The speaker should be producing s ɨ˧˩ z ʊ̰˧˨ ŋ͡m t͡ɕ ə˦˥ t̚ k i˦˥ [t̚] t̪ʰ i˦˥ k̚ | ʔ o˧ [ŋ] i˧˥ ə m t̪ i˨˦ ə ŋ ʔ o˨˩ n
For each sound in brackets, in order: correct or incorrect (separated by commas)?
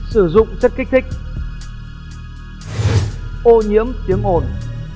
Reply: incorrect, incorrect